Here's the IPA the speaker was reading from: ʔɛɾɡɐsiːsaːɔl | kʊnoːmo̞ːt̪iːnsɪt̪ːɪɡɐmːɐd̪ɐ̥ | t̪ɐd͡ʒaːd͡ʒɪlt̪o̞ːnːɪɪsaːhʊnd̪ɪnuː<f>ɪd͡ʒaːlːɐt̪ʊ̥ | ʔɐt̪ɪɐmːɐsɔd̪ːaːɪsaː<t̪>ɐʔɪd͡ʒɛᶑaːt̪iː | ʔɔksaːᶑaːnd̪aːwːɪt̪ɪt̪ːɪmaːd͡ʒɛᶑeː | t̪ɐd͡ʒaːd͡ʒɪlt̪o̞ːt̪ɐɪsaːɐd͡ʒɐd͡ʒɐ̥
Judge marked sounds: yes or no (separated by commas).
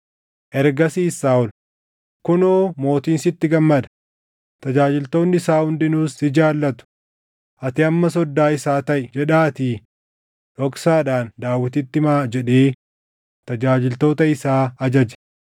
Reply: no, yes